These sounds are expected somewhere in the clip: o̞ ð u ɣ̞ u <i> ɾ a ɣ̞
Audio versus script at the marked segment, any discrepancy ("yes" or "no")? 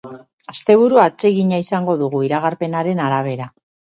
no